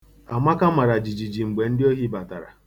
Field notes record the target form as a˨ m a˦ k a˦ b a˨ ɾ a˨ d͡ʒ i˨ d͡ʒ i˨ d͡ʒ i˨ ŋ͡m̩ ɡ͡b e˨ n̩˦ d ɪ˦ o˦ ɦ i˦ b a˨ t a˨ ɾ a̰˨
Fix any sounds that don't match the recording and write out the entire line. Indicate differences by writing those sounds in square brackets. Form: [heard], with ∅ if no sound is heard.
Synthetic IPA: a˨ m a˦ k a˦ [m] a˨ ɾ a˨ d͡ʒ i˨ d͡ʒ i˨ d͡ʒ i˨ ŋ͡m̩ ɡ͡b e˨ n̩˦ d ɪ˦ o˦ ɦ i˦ b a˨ t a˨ ɾ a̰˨